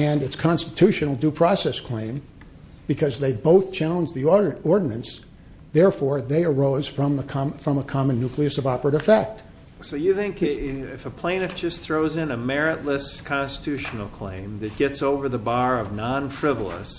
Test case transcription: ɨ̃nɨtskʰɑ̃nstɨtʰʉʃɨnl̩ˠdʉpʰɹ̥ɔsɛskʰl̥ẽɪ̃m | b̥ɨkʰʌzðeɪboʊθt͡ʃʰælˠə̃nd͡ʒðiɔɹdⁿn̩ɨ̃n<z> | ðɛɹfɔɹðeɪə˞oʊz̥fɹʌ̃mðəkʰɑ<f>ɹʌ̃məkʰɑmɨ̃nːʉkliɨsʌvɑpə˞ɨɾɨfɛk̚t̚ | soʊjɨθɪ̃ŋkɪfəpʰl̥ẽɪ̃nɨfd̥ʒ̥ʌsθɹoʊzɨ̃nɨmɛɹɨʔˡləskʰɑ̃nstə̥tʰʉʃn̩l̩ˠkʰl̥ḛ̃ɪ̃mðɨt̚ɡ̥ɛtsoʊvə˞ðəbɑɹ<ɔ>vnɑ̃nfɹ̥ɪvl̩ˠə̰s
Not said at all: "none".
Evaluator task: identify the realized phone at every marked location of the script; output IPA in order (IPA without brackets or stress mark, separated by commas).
s, f, ʌ